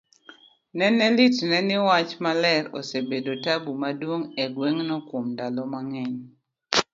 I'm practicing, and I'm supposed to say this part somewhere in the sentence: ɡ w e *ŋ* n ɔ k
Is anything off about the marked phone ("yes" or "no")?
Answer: no